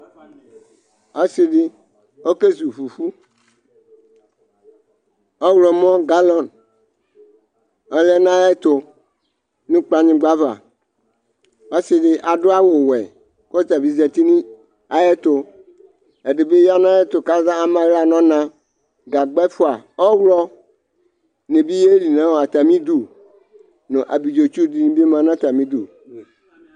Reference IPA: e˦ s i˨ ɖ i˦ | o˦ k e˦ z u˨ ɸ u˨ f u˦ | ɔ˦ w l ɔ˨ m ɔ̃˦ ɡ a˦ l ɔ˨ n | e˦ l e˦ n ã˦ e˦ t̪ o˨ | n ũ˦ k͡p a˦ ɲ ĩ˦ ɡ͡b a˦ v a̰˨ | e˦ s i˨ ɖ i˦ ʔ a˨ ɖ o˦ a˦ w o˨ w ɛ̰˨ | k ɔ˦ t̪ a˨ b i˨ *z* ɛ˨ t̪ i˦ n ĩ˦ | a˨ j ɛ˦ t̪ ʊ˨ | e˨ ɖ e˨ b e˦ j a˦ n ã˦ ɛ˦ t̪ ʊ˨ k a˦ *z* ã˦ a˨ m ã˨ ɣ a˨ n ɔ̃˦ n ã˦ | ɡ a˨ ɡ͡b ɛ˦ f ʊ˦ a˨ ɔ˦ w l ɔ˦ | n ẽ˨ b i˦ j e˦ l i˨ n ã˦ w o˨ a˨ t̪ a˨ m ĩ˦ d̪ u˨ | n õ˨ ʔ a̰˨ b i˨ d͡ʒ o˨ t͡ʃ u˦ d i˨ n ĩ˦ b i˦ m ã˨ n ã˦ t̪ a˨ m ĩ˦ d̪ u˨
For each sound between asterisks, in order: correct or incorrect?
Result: correct, correct

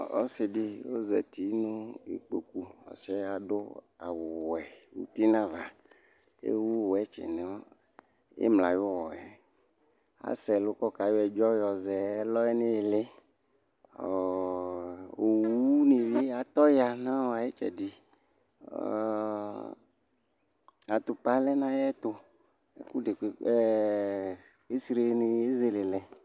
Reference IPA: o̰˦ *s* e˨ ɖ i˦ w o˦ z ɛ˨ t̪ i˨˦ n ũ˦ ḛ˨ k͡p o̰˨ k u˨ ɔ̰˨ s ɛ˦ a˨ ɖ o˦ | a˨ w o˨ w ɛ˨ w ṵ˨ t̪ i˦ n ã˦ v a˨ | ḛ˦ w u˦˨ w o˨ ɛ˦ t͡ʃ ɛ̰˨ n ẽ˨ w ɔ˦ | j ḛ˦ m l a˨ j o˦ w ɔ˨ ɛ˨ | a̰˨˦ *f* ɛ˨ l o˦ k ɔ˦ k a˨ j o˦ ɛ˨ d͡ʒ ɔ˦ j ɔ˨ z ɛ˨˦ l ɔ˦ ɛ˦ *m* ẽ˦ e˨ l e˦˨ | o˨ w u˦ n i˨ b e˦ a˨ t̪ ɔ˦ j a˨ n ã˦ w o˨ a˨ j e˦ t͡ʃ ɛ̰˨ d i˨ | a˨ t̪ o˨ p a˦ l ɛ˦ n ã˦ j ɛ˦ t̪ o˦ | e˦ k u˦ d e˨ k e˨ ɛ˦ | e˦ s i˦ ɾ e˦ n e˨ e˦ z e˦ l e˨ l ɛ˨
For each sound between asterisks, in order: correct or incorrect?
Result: correct, incorrect, incorrect

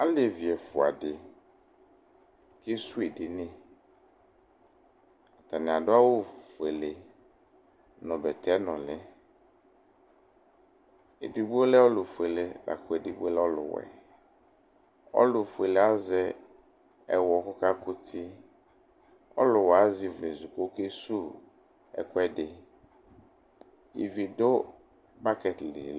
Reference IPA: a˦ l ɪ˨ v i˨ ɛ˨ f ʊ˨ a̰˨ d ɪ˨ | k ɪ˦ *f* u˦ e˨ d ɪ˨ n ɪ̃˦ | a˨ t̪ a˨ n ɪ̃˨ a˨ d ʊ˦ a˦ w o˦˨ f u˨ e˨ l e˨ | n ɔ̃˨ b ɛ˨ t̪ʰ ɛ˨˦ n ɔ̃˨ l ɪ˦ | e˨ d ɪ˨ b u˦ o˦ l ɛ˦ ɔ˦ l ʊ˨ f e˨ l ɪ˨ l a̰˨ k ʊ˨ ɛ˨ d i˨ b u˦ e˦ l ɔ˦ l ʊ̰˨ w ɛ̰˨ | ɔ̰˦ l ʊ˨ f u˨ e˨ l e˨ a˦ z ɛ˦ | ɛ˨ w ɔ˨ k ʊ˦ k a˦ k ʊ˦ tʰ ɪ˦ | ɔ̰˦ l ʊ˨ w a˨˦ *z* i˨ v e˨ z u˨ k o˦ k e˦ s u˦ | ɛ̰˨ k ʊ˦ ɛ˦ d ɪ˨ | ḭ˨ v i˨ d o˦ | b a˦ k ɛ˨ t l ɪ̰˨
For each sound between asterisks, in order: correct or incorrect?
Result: incorrect, correct

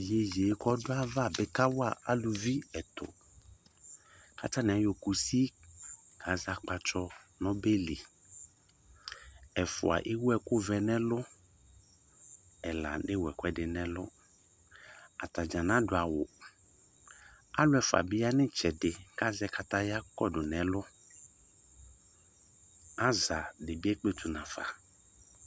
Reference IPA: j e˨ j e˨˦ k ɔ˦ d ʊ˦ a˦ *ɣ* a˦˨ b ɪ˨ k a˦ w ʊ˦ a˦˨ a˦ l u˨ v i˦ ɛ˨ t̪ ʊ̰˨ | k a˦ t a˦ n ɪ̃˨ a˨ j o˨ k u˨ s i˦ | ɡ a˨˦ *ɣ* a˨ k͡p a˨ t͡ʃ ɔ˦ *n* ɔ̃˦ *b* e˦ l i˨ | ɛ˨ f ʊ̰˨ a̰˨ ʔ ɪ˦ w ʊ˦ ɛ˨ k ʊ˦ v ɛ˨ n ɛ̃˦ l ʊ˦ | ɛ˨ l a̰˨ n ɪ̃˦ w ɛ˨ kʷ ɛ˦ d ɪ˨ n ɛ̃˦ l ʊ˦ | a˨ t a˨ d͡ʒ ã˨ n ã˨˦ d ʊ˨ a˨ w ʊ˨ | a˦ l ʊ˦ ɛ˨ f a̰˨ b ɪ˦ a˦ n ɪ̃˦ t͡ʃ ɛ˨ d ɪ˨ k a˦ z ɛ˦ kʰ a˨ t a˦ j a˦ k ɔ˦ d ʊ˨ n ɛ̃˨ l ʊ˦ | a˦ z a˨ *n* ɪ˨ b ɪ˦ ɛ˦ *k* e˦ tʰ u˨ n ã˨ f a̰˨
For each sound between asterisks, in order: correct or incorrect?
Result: incorrect, incorrect, correct, correct, incorrect, incorrect

